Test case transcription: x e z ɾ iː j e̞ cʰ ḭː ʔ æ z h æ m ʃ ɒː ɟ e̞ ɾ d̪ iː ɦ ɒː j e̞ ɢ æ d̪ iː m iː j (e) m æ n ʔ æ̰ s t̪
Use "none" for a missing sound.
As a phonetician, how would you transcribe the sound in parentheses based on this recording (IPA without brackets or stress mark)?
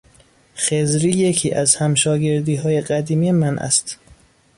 e